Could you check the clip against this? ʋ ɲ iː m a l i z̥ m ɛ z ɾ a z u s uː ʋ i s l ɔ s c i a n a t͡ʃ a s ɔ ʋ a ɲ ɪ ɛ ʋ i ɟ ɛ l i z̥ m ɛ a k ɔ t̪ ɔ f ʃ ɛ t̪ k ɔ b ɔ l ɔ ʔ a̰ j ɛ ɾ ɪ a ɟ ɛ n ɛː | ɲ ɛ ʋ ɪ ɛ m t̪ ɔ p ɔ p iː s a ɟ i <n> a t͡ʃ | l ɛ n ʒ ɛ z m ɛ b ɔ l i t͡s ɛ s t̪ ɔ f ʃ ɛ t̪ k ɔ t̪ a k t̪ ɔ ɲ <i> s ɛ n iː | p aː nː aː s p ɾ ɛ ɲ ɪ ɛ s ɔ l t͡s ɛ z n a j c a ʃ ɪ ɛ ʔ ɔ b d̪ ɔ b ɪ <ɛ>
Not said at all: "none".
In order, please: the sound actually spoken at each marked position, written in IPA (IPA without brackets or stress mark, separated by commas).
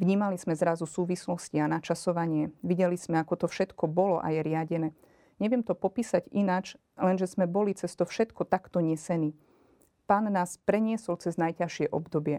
n, ɛ, ɛ